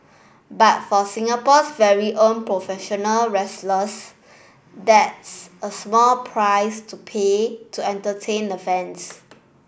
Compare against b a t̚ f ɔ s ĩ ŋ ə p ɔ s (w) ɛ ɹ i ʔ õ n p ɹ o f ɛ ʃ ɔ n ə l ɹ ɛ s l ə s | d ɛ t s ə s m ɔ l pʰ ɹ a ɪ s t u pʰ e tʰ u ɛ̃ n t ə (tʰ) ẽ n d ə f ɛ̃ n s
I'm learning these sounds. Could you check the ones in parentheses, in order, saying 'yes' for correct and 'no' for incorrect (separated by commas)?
no, yes